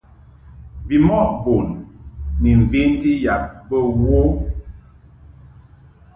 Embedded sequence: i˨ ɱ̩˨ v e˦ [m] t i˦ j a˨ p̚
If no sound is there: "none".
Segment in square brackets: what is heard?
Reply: n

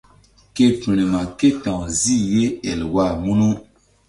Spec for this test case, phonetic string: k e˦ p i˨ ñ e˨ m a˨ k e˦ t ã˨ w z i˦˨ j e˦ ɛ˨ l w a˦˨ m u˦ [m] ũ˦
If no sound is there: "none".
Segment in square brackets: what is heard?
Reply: n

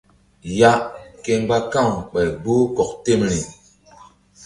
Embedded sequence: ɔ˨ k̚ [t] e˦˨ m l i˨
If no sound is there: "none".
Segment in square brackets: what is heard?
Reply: t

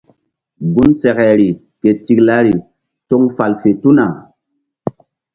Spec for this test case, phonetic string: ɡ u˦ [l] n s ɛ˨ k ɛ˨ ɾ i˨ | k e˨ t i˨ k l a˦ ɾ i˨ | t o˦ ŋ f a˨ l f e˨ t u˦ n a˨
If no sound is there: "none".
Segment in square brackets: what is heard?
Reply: none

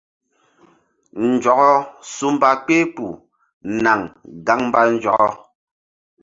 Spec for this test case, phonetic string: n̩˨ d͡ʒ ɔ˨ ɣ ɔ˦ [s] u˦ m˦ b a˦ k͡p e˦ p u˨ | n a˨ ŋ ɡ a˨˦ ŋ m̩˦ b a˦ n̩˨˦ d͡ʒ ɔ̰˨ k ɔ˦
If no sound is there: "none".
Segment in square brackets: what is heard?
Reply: s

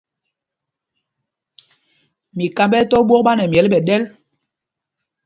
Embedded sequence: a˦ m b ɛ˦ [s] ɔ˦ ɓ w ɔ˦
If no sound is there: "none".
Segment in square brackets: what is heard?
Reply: t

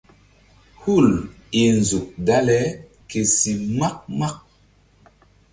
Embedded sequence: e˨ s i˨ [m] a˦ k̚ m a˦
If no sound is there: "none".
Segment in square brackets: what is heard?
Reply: m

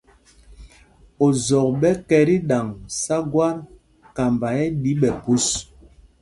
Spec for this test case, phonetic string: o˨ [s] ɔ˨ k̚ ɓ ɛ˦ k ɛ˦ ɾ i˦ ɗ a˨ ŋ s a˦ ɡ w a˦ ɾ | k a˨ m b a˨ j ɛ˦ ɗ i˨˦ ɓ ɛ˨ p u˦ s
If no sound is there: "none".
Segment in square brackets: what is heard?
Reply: z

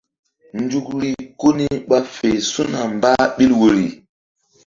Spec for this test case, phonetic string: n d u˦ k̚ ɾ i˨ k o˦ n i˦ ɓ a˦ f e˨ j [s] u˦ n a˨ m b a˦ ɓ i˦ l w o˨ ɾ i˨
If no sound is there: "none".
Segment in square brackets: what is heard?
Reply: s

